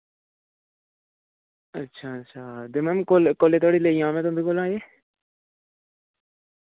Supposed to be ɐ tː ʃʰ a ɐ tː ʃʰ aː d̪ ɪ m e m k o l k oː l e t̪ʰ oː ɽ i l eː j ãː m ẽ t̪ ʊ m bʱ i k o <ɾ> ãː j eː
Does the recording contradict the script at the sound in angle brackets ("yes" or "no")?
yes